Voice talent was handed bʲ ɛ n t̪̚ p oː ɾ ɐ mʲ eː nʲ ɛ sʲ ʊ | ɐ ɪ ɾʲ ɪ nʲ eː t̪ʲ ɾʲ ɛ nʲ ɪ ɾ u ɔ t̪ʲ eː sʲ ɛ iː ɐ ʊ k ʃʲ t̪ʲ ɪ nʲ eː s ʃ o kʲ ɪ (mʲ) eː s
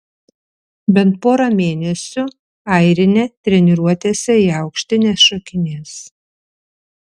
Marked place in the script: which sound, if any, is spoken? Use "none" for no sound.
nʲ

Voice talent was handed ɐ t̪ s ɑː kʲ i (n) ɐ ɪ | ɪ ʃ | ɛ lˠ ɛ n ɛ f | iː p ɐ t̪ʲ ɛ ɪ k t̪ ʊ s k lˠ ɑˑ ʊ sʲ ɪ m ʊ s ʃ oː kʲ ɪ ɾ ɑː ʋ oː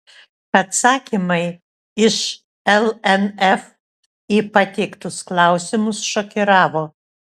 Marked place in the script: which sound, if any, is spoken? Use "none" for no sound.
m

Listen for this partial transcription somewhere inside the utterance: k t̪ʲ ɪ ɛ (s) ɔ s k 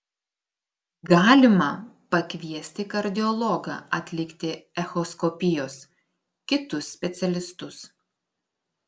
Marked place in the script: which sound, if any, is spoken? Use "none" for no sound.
x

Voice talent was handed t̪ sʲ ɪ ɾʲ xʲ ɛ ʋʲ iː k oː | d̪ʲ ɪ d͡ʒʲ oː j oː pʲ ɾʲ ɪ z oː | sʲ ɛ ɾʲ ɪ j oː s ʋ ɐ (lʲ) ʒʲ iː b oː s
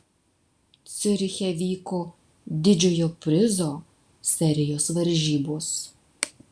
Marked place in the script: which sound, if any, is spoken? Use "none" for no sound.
ɾʲ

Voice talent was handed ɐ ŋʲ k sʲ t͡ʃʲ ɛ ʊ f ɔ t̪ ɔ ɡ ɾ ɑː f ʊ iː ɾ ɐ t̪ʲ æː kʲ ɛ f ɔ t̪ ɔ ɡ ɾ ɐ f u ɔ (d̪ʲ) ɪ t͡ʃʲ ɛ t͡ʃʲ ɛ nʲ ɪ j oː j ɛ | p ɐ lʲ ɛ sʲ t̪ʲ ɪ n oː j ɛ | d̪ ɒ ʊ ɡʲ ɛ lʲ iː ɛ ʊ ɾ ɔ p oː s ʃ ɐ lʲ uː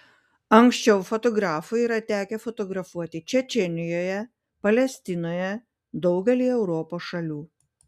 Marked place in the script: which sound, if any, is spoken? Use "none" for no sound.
t̪ʲ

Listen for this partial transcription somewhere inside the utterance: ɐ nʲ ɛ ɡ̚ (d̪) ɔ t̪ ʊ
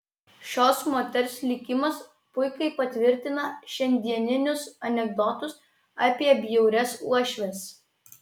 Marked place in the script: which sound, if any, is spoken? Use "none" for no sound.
d̪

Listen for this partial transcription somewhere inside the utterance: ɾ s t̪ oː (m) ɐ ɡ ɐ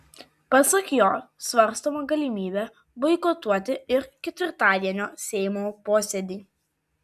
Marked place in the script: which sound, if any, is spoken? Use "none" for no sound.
m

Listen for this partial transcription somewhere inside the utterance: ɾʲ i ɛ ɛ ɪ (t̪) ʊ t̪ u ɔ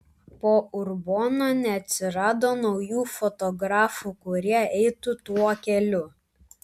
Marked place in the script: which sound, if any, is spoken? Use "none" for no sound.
t̪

